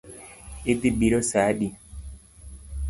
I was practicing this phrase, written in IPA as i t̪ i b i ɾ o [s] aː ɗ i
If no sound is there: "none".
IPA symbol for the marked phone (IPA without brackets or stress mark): s